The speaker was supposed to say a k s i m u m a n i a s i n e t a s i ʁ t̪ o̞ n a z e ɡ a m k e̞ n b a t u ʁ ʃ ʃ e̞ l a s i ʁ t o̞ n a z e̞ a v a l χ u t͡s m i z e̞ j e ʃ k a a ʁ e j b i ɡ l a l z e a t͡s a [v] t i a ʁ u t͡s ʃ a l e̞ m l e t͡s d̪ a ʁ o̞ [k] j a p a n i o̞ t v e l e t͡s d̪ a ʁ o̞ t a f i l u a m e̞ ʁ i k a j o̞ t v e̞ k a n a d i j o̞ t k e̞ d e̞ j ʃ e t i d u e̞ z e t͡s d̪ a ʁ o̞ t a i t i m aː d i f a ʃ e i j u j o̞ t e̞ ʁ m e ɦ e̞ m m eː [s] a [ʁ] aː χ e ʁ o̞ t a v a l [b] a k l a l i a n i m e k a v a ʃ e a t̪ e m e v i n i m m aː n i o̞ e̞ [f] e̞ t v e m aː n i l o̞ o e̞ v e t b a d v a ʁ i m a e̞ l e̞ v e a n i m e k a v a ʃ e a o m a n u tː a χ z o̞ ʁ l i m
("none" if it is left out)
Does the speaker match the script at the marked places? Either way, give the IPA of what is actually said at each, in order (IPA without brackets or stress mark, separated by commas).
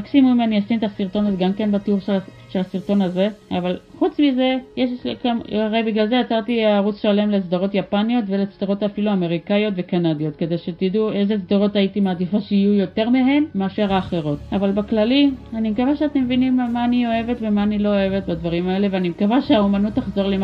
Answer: ʁ, t, ʃ, ʁ, b, v